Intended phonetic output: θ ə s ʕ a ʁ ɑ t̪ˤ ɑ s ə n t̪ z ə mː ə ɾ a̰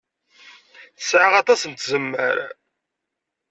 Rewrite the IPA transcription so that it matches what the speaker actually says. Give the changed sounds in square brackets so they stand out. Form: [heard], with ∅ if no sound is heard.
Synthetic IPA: θ ə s ʕ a ʁ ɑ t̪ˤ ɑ s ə n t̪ z ə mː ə ɾ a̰